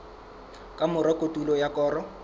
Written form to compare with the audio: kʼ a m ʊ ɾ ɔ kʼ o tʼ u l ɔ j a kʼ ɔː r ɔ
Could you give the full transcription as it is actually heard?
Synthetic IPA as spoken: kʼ a m ʊ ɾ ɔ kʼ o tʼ u l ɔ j a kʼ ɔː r ɔ